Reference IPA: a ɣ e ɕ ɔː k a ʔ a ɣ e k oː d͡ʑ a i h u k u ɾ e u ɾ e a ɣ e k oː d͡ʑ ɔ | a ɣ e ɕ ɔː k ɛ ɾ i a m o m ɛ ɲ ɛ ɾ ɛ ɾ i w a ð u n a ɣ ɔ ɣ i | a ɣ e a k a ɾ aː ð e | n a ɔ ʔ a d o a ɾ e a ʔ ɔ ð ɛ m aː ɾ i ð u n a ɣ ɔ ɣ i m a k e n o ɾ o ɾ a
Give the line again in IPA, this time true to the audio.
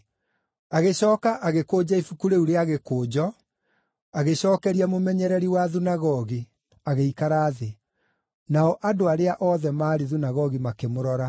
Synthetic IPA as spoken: a ɣ e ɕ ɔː k a ʔ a ɣ e k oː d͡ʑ a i f u k u ɾ e u ɾ e a ɣ e k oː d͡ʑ ɔ | a ɣ e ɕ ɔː k ɛ ɾ i a m o m ɛ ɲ ɛ ɾ ɛ ɾ i w a ð u n a ɣ ɔ ɣ i | a ɣ e i k a ɾ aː ð e | n a ɔ ʔ a d o a ɾ e a ʔ ɔ ð ɛ m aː ɾ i ð u n a ɣ ɔ ɣ i m a k e m o ɾ ɔ ɾ a